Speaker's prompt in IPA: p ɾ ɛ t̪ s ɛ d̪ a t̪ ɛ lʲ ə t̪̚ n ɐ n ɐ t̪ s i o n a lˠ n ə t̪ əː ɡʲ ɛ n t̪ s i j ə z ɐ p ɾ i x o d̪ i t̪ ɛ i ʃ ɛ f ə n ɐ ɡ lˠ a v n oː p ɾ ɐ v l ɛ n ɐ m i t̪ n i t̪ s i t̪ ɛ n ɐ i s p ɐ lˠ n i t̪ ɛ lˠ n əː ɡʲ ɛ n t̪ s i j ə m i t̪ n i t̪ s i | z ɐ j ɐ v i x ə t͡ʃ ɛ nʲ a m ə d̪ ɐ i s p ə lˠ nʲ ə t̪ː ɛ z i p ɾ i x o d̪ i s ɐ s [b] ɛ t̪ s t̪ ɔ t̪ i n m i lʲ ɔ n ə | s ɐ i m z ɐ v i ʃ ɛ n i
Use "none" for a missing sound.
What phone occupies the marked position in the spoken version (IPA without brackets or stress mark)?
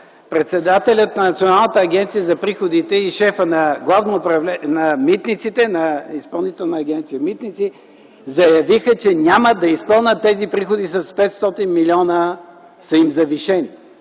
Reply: p